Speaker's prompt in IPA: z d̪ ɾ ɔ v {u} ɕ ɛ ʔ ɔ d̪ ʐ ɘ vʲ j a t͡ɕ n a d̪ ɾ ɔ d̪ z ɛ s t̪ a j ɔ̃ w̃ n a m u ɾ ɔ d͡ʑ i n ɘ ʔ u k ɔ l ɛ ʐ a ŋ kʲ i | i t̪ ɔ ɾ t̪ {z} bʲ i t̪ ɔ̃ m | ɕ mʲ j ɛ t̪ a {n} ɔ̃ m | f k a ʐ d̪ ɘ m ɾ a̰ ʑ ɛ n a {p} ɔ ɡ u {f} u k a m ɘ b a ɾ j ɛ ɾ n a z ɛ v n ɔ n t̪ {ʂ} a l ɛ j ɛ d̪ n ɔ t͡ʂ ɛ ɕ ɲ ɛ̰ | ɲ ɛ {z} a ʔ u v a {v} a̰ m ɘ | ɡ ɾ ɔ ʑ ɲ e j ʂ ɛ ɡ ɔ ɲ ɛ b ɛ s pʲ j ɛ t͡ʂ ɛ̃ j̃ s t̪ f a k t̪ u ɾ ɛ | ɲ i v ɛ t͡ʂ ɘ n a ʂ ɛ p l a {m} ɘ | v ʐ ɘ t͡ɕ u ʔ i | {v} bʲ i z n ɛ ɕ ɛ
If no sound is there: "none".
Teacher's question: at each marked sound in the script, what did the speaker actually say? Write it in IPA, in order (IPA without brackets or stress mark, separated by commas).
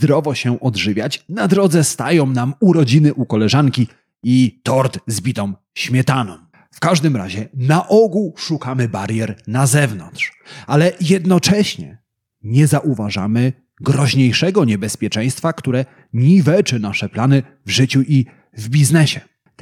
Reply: ɔ, z, n, ʔ, ʂ, ʂ, z, ʐ, n, v